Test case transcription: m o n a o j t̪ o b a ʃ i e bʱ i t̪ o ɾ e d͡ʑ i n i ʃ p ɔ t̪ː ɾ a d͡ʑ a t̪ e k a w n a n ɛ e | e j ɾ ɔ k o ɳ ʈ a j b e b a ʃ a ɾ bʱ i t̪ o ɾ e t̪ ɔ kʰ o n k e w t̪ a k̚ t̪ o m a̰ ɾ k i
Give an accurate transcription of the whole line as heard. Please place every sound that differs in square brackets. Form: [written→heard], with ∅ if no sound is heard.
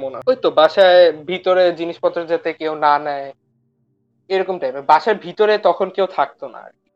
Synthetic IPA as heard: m o n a o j t̪ o b a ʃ [i→a] e bʱ i t̪ o ɾ e d͡ʑ i n i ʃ p ɔ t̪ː ɾ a d͡ʑ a t̪ e k [a→e] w n a n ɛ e | e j ɾ ɔ k o [ɳ→m] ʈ a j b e b a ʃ a ɾ bʱ i t̪ o ɾ e t̪ ɔ kʰ o n k e w [t̪→t̪ʰ] a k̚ t̪ o [m→n] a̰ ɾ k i